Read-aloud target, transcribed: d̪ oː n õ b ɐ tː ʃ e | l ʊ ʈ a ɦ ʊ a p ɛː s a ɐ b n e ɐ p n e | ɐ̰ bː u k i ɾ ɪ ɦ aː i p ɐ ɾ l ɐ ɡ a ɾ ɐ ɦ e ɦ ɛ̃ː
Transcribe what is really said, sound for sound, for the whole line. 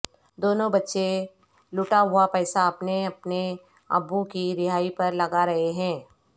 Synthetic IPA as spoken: d̪ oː n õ b ɐ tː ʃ e | l ʊ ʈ a ɦ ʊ a p ɛː s a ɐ p n e ɐ p n e | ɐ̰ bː u k i ɾ ɪ ɦ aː i p ɐ ɾ l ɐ ɡ a ɾ ɐ ɦ e ɦ ɛ̃ː